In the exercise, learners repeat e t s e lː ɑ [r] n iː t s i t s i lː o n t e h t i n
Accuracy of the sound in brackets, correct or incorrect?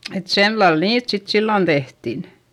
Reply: incorrect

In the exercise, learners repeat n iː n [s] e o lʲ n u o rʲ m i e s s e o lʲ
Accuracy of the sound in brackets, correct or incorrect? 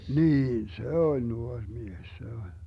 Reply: correct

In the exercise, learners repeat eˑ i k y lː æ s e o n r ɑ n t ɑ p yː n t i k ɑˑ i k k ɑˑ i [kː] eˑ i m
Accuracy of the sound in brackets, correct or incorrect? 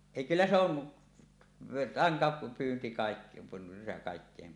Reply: correct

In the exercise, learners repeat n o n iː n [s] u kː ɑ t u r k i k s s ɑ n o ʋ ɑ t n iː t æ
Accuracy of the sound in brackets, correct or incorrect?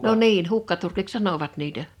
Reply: incorrect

